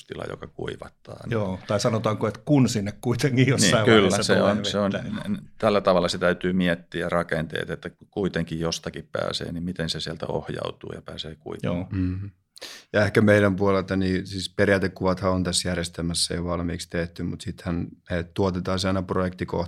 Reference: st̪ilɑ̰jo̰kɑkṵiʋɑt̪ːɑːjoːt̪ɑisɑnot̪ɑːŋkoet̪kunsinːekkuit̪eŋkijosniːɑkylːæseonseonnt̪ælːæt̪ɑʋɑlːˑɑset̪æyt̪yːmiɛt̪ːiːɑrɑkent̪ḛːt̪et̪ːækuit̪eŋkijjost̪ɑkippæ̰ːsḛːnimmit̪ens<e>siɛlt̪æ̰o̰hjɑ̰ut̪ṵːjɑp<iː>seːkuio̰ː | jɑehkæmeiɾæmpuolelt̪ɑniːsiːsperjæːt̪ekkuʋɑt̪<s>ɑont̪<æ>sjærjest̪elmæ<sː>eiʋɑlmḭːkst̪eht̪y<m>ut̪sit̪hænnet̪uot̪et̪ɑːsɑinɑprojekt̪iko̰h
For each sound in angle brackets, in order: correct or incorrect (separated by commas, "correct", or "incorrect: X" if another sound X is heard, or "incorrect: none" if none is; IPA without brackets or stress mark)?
correct, incorrect: æː, incorrect: h, correct, correct, correct